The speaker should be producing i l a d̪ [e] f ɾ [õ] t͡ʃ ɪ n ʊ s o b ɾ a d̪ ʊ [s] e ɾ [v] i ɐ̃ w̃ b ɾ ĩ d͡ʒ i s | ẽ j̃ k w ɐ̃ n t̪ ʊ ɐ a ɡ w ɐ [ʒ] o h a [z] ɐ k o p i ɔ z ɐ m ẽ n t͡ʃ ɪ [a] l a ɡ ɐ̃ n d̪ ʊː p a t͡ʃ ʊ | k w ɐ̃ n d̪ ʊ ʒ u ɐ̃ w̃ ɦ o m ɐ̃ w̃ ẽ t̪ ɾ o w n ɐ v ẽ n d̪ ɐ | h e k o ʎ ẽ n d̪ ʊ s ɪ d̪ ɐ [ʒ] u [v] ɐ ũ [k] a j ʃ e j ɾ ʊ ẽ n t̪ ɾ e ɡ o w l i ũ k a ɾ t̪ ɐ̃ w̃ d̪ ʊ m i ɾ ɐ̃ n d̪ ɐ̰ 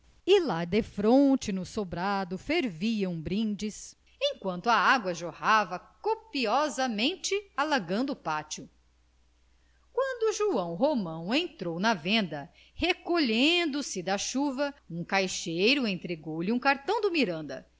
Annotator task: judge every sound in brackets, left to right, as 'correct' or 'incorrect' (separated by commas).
correct, correct, incorrect, correct, correct, incorrect, correct, incorrect, correct, correct